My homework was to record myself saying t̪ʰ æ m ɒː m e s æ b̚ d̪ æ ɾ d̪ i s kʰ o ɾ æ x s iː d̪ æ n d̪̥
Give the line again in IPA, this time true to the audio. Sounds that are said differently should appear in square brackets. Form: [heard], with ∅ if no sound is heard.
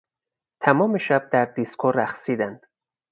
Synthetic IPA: t̪ʰ æ m ɒː m e [ʃ] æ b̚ d̪ æ ɾ d̪ i s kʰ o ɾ æ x s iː d̪ æ n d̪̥